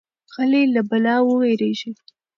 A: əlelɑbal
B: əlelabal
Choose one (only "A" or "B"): B